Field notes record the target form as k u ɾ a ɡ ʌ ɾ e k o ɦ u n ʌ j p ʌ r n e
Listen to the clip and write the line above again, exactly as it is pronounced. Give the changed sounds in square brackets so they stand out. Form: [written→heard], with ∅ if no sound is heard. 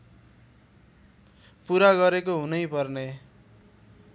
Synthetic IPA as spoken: [k→p] u ɾ a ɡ ʌ ɾ e k o ɦ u n ʌ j p ʌ r n e